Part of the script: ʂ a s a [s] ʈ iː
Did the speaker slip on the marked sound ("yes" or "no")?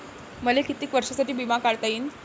yes